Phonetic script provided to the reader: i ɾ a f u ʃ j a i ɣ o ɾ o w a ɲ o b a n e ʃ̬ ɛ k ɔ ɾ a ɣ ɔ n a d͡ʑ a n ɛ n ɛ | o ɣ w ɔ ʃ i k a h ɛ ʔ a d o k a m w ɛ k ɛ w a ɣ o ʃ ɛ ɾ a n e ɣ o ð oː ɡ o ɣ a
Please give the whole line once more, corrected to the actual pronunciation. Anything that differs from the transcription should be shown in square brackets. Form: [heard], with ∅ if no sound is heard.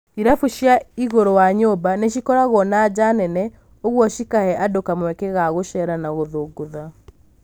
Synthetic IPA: i ɾ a f u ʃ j a i ɣ o ɾ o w a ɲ o b a n e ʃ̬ [i] k ɔ ɾ a ɣ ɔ n a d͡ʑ a n ɛ n ɛ | o ɣ w ɔ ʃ i k a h ɛ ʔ a d o k a m w ɛ k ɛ [ɣ] a ɣ o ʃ ɛ ɾ a n [a] ɣ o ð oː ɡ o [ð] a